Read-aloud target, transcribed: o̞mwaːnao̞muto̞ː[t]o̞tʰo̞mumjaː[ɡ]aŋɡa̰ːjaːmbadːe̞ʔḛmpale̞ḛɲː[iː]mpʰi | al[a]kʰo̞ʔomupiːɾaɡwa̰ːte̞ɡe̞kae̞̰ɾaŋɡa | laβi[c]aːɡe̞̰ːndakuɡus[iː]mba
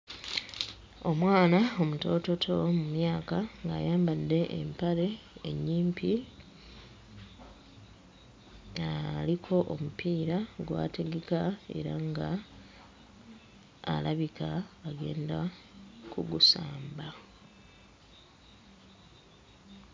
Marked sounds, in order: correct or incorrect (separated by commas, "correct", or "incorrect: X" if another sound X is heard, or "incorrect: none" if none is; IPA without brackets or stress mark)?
correct, incorrect: k, correct, incorrect: i, incorrect: k, incorrect: aː